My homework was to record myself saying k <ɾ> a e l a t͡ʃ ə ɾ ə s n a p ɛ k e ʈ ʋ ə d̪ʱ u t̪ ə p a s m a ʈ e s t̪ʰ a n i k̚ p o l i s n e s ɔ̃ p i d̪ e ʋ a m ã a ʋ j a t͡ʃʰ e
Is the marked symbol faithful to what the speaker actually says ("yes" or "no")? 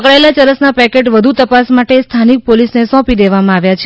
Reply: no